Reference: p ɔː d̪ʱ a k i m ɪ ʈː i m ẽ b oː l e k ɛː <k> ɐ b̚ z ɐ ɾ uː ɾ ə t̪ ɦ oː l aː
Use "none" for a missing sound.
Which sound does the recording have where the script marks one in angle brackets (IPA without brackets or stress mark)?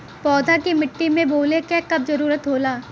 k